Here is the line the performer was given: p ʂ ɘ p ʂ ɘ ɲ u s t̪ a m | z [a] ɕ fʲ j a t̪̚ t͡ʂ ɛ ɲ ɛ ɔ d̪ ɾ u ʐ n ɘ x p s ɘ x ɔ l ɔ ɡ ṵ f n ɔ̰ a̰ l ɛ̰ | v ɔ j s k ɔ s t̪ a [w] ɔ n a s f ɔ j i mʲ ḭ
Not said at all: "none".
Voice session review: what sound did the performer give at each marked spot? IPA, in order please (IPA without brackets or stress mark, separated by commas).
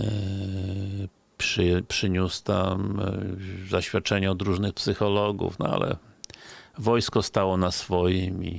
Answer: a, w